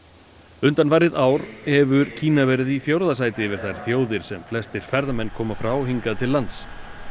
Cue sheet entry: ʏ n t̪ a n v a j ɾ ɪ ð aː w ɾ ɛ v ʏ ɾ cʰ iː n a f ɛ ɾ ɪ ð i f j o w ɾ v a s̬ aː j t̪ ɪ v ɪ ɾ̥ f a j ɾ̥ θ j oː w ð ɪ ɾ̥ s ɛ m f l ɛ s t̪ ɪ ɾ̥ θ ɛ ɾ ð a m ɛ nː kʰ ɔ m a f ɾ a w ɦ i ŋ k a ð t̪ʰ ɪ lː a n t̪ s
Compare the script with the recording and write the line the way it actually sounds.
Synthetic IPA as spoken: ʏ n t̪ a n v a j ɾ ɪ ð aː w ɾ ɛ v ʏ ɾ cʰ iː n a v ɛ ɾ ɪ ð i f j o w ɾ ð a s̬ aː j t̪ ɪ v ɪ ɾ̥ θ a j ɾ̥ θ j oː w ð ɪ ɾ̥ s ɛ m f l ɛ s t̪ ɪ ɾ̥ f ɛ ɾ ð a m ɛ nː kʰ ɔː m a f ɾ a w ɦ i ŋ k a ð t̪ʰ ɪ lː a n t̪ s